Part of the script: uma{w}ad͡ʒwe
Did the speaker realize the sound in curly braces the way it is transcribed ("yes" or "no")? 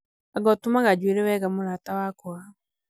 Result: no